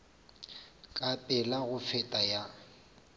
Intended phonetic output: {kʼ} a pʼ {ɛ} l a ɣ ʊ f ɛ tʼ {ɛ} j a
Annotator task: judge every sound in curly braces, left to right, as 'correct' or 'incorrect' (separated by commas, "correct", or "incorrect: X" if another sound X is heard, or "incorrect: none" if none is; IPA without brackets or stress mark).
correct, correct, incorrect: a